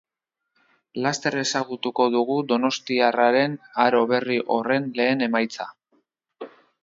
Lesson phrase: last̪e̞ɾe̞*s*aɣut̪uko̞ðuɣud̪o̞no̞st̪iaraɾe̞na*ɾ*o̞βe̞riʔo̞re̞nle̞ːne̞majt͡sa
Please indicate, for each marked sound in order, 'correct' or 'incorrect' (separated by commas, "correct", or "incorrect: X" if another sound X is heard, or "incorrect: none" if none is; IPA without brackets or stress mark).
correct, correct